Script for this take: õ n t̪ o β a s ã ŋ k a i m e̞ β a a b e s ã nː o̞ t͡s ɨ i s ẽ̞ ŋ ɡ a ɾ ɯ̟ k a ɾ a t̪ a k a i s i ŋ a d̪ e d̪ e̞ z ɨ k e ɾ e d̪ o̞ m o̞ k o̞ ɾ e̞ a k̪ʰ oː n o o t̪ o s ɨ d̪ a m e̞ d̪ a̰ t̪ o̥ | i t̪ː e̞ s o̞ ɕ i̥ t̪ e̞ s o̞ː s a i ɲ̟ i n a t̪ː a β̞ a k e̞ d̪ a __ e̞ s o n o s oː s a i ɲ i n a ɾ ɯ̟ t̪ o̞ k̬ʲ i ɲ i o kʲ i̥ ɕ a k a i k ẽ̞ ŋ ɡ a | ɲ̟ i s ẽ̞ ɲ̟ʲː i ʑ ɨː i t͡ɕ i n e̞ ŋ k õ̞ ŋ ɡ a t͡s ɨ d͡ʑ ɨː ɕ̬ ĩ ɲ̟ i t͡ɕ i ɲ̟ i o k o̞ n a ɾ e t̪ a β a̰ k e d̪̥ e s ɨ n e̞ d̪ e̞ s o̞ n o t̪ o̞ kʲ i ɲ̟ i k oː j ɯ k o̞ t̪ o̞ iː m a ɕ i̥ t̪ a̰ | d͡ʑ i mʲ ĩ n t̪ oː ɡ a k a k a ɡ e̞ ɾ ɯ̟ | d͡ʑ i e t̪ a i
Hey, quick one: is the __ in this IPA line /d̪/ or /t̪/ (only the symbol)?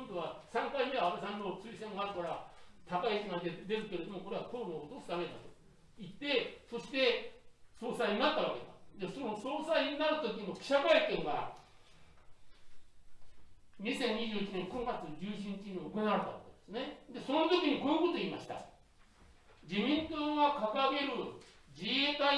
d̪